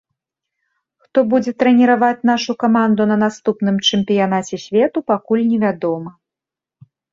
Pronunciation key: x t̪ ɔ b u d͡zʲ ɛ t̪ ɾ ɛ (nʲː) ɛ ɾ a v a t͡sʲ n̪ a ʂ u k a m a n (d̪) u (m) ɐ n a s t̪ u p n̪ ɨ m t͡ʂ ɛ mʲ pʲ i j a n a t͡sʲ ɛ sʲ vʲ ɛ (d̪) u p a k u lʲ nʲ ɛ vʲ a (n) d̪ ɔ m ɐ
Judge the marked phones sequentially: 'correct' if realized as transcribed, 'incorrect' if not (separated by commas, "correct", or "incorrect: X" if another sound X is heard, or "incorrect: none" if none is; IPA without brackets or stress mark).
incorrect: nʲ, correct, incorrect: n, incorrect: t̪, incorrect: none